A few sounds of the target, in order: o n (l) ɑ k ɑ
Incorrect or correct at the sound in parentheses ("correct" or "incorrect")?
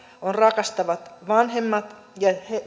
incorrect